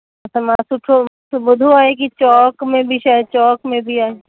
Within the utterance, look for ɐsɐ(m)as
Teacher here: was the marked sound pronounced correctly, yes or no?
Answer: yes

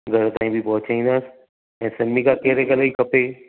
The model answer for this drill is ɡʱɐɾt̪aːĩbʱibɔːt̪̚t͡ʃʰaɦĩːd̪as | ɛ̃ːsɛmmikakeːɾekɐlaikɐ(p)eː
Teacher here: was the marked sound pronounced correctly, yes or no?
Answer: yes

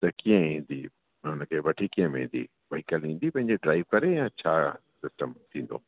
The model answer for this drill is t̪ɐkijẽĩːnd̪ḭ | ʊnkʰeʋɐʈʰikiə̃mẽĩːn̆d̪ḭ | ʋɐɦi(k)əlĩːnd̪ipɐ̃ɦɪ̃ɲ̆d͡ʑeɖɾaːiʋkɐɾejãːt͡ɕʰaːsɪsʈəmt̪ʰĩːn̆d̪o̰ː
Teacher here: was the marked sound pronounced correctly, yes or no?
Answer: yes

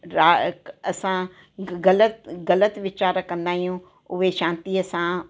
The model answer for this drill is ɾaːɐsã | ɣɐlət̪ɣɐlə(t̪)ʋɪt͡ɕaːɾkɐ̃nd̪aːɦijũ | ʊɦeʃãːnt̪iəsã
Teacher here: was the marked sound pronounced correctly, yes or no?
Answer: yes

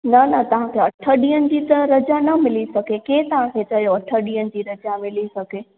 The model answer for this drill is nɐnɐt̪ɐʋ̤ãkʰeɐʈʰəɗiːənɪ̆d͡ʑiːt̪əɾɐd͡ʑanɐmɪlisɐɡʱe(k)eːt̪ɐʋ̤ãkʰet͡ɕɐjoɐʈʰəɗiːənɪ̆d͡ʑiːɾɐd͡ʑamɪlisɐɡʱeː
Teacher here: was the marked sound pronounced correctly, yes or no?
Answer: yes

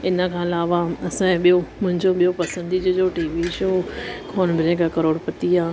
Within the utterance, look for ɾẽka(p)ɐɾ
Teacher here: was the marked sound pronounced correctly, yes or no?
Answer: no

